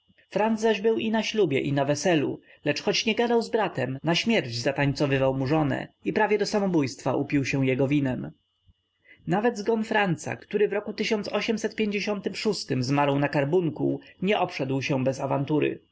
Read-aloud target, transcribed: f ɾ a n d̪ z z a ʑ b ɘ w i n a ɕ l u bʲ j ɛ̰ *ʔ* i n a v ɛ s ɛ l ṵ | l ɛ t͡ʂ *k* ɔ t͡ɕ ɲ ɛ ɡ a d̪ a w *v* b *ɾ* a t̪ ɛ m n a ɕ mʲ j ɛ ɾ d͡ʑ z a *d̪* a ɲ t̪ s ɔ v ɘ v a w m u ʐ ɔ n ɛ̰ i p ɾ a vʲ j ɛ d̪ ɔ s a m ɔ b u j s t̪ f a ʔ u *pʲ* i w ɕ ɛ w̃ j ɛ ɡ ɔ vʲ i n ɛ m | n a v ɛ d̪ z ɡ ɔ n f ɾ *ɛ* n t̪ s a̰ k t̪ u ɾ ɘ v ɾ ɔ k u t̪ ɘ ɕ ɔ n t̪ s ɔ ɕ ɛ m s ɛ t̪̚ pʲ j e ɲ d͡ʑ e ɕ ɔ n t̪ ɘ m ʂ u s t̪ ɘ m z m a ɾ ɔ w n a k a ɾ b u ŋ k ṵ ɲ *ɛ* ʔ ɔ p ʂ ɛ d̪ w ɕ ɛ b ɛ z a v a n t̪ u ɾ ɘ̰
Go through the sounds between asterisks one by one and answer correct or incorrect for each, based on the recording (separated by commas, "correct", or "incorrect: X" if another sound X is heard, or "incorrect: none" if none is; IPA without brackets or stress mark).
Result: correct, incorrect: x, incorrect: z, correct, incorrect: t̪, correct, incorrect: a, correct